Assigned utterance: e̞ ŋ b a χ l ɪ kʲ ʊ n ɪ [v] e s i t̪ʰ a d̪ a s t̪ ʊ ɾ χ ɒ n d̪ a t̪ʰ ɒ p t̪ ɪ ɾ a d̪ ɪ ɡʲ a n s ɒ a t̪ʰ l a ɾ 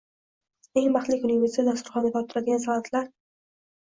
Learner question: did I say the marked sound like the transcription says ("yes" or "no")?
yes